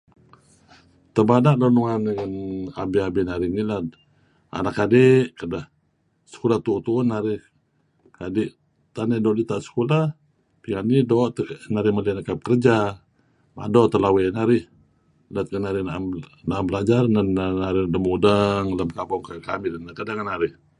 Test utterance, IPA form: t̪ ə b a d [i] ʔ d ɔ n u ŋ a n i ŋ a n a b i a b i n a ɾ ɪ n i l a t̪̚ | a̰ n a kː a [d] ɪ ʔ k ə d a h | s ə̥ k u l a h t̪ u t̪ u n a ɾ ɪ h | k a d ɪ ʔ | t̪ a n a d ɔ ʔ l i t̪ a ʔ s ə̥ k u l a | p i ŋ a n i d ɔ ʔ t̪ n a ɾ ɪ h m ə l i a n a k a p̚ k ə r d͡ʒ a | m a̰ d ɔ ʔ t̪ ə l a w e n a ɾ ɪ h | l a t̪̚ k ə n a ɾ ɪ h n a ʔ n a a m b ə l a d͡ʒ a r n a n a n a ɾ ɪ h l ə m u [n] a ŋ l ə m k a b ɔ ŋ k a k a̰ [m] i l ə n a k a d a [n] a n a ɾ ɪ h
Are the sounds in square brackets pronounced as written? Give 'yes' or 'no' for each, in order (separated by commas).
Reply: no, yes, no, yes, no